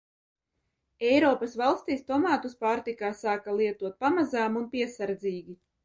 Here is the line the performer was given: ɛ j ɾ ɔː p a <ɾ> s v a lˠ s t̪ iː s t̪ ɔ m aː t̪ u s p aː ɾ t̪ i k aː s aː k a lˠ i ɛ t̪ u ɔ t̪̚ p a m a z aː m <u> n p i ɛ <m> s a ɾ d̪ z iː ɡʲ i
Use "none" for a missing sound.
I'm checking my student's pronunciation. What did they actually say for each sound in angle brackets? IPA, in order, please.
none, u, none

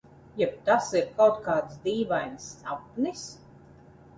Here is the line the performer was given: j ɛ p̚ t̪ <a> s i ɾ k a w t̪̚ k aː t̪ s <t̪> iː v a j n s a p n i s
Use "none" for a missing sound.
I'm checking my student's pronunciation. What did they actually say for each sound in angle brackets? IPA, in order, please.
a, d̪

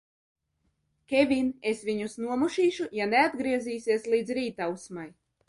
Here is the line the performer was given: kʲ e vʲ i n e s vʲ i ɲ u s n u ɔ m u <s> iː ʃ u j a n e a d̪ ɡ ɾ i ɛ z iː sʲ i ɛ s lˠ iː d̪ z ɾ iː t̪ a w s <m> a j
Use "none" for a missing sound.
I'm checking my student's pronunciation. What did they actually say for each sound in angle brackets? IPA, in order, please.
ʃ, m

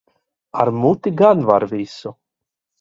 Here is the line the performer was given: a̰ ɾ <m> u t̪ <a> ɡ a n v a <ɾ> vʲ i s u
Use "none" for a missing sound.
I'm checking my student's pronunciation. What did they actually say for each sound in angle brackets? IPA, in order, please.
m, i, ɾ

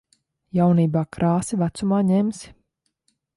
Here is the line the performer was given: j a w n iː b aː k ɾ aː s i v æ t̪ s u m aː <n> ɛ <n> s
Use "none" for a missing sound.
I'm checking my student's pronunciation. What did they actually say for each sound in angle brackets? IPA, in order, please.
ɲ, m

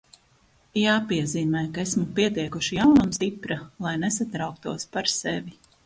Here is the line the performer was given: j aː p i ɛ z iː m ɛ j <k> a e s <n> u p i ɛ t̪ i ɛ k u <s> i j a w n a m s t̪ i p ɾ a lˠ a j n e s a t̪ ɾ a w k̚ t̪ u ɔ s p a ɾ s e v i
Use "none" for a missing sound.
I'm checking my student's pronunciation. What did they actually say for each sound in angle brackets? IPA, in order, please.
k, m, ʃ

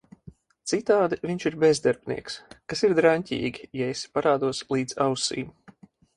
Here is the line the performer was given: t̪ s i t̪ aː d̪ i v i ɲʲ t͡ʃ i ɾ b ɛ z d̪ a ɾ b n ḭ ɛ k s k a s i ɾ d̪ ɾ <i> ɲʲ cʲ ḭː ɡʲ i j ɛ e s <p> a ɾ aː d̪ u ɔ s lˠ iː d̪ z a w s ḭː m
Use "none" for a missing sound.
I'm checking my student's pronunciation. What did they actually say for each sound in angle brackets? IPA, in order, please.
a, p

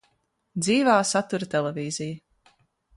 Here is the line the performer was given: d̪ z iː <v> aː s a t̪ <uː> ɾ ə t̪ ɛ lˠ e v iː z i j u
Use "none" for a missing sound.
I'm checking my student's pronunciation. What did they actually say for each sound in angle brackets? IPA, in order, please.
v, u

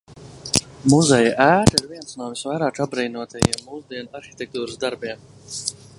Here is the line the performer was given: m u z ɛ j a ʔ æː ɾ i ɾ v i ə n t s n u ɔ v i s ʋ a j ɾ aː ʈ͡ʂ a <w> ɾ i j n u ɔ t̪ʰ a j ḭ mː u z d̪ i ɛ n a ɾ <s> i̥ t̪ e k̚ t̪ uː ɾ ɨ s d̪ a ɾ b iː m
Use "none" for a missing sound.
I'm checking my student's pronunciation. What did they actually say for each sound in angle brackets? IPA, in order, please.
b, x

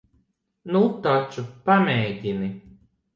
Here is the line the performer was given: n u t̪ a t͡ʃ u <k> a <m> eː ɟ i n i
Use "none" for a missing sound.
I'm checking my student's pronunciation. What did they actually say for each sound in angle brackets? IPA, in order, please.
p, m

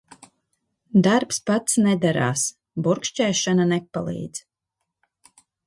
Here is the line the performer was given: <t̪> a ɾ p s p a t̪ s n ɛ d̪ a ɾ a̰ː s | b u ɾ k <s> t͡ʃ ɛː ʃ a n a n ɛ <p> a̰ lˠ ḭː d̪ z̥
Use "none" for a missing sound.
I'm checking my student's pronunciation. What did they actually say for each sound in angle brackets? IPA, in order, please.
d̪, ʃ, p

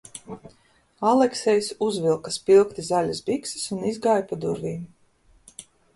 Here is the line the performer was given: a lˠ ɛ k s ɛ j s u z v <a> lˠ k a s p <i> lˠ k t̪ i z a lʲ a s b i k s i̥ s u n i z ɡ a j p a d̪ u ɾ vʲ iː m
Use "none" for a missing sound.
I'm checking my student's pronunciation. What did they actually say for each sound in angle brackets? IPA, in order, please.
i, i

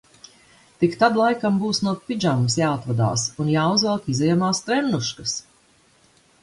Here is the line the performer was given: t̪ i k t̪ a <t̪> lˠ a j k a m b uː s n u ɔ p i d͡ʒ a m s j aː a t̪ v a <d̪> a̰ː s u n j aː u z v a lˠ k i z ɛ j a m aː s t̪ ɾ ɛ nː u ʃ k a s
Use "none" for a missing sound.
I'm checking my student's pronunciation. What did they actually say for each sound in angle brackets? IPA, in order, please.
d̪, d̪

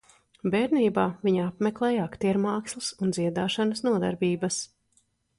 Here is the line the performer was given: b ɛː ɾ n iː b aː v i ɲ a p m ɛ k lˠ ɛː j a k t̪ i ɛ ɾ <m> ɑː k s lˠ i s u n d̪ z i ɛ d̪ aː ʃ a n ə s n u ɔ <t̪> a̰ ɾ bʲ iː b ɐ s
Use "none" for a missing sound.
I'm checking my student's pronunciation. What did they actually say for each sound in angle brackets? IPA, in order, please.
m, d̪

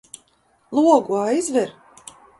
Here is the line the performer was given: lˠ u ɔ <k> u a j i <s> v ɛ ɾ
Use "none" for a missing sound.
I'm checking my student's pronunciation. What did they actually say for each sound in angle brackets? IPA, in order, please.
ɡ, z

